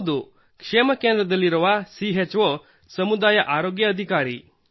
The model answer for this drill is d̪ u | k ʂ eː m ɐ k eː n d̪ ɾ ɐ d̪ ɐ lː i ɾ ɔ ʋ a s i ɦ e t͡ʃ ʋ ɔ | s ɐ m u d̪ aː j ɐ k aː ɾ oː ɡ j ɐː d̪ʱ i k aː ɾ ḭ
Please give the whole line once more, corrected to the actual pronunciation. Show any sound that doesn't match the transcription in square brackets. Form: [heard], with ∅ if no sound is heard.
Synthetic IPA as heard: d̪ u | k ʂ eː m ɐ k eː n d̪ ɾ ɐ d̪ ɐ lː i ɾ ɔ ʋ a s i ɦ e t͡ʃ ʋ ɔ | s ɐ m u d̪ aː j ɐ [ʔ] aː ɾ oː ɡ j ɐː d̪ʱ i k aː ɾ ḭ